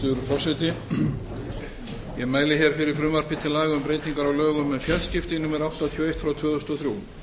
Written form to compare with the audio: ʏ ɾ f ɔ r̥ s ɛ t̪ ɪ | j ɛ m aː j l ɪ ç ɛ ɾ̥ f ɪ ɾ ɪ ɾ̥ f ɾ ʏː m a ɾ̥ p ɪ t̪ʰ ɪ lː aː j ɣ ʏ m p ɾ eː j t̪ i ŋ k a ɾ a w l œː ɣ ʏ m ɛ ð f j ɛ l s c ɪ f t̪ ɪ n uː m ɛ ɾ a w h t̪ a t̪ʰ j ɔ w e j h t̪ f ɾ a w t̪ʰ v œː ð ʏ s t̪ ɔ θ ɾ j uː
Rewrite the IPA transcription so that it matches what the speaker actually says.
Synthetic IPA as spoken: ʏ ɾ f ɔ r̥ s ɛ t̪ ɪ | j ɛ m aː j l ɪ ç ɛ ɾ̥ f ɪ ɾ ɪ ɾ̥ f ɾ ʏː m a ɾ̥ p ɪ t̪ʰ ɪ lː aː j ɣ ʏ m p ɾ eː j t̪ i ŋ k a ɾ a w l œː ɣ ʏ m ɛ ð f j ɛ l s c ɪ f t̪ ɪ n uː m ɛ ɾ a w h t̪ a t̪ʰ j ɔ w e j h t̪ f ɾ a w t̪ʰ v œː ð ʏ s t̪ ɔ θ ɾ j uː